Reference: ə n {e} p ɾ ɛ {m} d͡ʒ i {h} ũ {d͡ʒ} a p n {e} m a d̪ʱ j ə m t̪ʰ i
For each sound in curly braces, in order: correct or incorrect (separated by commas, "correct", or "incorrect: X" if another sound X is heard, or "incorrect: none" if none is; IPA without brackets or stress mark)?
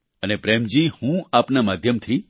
correct, correct, correct, incorrect: none, incorrect: a